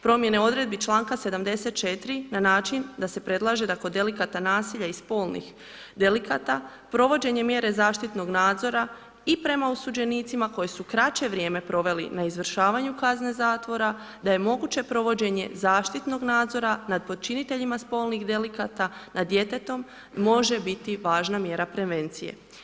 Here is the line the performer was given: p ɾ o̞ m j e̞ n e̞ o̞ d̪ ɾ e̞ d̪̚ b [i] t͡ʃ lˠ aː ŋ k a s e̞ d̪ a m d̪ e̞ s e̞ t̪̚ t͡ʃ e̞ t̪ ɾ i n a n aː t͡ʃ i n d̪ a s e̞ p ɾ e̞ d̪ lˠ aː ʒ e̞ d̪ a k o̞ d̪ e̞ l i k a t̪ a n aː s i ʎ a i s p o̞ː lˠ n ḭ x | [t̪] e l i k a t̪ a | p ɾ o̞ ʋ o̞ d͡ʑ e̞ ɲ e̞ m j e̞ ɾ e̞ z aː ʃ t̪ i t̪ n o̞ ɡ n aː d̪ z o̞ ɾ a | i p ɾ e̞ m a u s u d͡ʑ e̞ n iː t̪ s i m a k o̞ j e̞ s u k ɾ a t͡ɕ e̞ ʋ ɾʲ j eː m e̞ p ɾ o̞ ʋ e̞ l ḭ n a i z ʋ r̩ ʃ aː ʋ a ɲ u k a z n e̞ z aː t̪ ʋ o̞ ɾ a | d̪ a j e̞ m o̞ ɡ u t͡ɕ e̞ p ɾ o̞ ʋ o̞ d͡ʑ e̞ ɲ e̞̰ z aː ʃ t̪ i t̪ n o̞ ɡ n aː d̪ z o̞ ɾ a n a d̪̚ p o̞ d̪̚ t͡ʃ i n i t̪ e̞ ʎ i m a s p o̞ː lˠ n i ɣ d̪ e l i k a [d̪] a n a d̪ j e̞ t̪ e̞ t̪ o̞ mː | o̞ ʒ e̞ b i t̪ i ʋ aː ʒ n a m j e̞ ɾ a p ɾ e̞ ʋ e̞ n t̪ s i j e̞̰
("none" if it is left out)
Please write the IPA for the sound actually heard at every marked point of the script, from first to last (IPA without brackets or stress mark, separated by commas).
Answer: i, d̪, t̪